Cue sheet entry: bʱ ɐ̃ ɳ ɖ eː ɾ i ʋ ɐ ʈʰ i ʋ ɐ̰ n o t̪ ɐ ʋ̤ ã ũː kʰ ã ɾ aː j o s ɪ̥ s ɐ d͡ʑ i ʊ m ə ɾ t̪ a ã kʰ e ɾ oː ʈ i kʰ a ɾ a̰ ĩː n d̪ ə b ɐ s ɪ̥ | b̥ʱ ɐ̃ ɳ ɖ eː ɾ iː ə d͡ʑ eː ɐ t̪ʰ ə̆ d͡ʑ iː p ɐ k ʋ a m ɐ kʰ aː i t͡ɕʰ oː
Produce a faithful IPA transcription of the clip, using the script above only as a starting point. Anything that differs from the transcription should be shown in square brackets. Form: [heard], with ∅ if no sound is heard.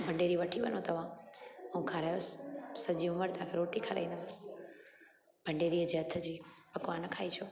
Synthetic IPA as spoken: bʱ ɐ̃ ɳ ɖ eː ɾ i ʋ ɐ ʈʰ i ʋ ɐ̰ n o t̪ ɐ ʋ̤ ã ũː kʰ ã ɾ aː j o s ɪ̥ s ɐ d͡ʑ i ʊ m ə ɾ t̪ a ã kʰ e ɾ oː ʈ i kʰ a ɾ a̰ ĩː n d̪ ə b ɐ s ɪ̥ | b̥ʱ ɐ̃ ɳ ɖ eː ɾ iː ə d͡ʑ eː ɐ t̪ʰ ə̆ d͡ʑ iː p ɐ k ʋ a [n] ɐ kʰ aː i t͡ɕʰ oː